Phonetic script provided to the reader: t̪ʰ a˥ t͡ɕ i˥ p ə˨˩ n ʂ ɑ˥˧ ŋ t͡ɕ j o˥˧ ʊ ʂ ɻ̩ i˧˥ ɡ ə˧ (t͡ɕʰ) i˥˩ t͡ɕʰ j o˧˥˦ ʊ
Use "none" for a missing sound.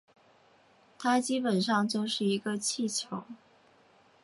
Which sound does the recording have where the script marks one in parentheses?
t͡ɕʰ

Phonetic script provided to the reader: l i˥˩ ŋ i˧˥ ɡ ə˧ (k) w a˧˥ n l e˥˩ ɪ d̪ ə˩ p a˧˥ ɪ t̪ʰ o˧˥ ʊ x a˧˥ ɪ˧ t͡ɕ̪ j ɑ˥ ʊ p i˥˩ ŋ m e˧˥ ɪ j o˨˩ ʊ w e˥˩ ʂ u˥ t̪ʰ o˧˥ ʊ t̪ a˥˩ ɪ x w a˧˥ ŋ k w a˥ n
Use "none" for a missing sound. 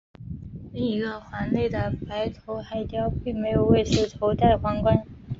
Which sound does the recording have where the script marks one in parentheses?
x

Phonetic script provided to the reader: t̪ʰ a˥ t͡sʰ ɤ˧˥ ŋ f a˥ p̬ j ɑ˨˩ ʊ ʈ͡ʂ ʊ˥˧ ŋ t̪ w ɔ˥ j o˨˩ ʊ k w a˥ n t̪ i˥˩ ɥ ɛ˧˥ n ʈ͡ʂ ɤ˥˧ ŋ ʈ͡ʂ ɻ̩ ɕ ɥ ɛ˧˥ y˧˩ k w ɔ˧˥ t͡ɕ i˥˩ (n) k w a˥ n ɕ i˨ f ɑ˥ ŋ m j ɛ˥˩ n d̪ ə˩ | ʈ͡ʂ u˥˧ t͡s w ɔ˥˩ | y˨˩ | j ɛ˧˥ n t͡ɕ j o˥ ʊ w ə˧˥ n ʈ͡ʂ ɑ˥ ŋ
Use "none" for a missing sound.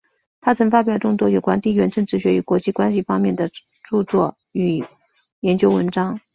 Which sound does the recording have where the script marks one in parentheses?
none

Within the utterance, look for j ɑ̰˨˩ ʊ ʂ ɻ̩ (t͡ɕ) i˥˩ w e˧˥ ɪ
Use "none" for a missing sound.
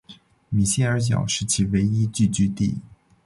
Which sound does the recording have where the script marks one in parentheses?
t͡ɕʰ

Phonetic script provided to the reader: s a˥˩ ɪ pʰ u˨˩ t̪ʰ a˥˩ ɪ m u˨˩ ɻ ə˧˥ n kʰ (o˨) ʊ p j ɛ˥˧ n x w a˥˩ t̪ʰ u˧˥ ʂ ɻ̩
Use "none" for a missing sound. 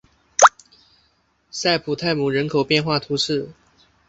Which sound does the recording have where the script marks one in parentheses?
o˨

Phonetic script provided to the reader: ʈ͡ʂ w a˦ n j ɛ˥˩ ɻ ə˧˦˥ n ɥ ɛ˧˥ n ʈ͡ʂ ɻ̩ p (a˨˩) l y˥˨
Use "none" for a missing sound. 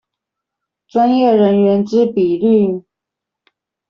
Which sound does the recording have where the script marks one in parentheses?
i˨˩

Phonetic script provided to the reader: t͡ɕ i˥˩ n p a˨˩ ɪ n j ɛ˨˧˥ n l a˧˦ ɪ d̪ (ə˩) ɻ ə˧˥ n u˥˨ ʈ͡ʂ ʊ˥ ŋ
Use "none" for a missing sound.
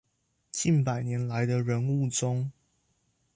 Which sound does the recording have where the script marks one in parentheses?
ə˧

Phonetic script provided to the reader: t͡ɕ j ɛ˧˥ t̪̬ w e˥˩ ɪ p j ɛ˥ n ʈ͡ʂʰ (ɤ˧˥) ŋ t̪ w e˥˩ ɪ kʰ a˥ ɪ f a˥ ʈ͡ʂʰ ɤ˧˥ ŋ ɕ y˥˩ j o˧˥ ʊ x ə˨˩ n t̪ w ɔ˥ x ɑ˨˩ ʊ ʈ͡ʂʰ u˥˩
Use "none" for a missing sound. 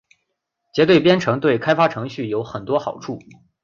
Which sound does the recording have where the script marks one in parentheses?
ɤ˧˥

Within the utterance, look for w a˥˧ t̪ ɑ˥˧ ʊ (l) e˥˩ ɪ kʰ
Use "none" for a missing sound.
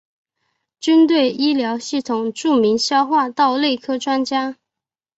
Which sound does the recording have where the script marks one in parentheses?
l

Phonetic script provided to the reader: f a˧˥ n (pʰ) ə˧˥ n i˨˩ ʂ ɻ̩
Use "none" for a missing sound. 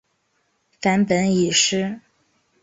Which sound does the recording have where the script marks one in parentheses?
p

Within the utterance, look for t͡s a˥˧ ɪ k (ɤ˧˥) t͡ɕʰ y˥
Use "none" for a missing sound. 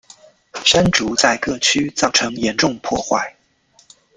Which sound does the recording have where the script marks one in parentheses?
ɤ˥˩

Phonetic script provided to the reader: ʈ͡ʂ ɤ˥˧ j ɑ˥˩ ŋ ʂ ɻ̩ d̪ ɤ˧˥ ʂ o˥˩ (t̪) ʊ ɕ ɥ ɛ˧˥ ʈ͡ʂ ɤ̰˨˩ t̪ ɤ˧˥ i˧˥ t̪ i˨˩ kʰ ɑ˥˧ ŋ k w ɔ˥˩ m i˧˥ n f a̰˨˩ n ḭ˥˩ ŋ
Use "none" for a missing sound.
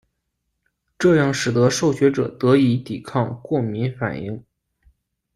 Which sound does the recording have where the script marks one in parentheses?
none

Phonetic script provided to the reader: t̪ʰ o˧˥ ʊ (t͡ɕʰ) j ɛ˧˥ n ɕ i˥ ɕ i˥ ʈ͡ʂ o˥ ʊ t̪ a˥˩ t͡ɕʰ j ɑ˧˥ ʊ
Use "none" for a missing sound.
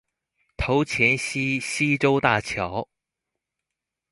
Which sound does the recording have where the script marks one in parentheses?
t͡ɕʰ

